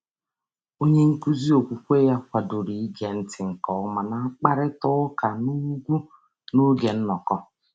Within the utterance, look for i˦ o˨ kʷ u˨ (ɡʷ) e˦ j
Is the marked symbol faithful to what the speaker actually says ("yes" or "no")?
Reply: no